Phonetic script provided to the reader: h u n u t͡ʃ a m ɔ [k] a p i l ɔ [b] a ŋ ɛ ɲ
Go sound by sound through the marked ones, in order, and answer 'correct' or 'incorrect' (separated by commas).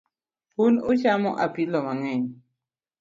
incorrect, incorrect